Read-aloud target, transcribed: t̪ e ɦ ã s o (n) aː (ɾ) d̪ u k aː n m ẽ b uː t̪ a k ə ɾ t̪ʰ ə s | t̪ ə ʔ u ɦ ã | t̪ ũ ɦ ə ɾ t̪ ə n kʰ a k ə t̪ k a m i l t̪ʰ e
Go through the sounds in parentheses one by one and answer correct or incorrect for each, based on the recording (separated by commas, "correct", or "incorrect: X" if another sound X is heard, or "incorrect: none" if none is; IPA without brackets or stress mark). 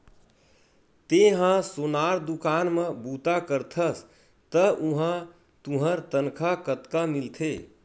correct, correct